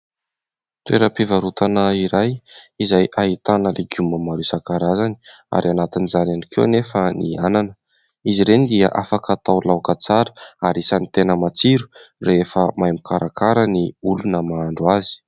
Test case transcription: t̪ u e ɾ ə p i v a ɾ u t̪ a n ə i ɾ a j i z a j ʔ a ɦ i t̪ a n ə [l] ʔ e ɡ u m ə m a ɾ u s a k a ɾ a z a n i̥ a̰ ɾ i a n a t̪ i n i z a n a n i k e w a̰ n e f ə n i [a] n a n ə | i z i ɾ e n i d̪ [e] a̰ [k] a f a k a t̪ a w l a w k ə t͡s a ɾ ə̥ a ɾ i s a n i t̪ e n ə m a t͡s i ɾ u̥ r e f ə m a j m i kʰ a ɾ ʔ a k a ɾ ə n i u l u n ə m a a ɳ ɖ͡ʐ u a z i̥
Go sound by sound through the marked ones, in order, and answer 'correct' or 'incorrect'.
correct, correct, incorrect: i, incorrect: ʔ

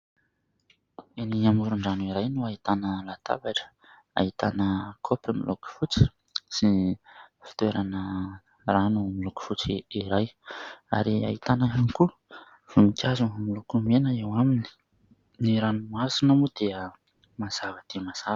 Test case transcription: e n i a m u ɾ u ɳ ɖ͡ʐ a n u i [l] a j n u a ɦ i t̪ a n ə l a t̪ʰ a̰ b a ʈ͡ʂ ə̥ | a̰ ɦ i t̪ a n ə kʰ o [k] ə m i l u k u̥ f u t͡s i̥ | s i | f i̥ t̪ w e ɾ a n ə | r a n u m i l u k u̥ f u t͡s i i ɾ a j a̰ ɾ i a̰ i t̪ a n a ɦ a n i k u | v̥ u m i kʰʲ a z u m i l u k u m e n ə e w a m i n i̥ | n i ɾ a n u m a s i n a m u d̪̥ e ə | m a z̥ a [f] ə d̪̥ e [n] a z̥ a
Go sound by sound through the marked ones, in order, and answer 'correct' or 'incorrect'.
incorrect: ɾ, incorrect: p, incorrect: v, incorrect: m

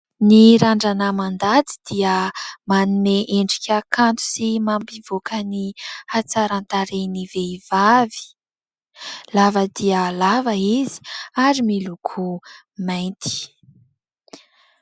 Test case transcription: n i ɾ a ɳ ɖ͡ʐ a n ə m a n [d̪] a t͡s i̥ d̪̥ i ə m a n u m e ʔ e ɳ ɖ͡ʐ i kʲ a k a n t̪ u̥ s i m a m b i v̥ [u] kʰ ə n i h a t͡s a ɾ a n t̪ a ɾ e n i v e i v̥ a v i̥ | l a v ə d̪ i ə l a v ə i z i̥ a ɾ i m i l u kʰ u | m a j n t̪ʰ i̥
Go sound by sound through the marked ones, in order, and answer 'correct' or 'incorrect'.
correct, incorrect: o

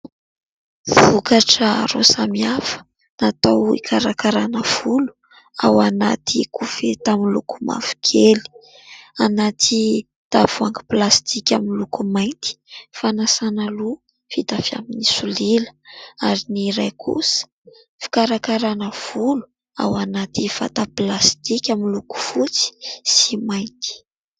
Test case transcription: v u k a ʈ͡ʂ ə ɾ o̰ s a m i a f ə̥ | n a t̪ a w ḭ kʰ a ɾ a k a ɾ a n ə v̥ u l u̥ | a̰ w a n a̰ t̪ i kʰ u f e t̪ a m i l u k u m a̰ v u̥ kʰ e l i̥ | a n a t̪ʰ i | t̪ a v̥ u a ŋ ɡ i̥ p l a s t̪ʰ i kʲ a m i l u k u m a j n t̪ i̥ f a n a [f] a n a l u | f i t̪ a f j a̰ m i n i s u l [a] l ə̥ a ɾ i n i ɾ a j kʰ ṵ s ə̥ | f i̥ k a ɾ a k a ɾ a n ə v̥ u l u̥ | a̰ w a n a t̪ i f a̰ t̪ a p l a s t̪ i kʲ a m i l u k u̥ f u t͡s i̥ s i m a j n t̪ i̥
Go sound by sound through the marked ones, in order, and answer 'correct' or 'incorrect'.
incorrect: s, incorrect: i

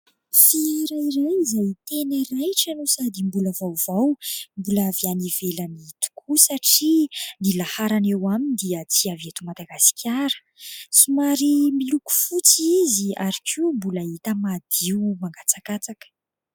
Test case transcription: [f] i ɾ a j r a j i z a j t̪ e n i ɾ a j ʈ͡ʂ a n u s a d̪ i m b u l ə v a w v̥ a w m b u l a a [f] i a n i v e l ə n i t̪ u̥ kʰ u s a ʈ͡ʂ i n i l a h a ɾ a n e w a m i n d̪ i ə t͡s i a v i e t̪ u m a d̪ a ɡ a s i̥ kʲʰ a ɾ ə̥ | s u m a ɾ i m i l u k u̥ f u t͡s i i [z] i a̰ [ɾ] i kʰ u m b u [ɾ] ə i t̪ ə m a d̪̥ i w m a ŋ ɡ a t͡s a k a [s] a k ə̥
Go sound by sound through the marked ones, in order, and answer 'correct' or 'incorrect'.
correct, incorrect: v, correct, correct, incorrect: l, incorrect: t͡s

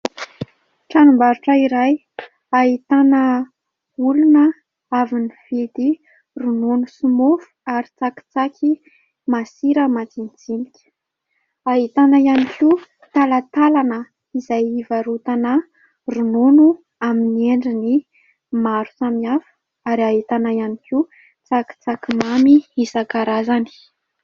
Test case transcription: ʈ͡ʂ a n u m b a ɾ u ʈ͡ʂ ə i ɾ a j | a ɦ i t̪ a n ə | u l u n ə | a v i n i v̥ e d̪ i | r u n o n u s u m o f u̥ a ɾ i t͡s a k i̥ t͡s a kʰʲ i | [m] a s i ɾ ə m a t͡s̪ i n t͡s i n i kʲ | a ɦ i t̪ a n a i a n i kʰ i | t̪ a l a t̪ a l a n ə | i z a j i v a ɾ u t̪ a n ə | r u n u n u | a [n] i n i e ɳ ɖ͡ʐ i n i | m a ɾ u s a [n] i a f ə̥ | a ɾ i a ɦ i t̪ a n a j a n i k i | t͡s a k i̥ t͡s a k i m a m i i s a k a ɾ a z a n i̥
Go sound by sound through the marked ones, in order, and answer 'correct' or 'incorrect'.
correct, incorrect: m, incorrect: m

